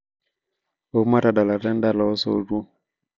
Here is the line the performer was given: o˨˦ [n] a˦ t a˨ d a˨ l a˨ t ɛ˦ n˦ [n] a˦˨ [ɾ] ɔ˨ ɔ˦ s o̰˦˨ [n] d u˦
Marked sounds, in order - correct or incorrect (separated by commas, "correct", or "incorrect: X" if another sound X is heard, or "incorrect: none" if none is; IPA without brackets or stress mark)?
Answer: incorrect: m, incorrect: d, incorrect: l, incorrect: none